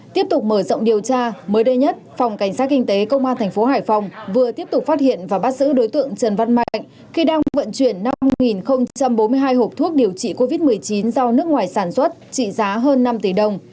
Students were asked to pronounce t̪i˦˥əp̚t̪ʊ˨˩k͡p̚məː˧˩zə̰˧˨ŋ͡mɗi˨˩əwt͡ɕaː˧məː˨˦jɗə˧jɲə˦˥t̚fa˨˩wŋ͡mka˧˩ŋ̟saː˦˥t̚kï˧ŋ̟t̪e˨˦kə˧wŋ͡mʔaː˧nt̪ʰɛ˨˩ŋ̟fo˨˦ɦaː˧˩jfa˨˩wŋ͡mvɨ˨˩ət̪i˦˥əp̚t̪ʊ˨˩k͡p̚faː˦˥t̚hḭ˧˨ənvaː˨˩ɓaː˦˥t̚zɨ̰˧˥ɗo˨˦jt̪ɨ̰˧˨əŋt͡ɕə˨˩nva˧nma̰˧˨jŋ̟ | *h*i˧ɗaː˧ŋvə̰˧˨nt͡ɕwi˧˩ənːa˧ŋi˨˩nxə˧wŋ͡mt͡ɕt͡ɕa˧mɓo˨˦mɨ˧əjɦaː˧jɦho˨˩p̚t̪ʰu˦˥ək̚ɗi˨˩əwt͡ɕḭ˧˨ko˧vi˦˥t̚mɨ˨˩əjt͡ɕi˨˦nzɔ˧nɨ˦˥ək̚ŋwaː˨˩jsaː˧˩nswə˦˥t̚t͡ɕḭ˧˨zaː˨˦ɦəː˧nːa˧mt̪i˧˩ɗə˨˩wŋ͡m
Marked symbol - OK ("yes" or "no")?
no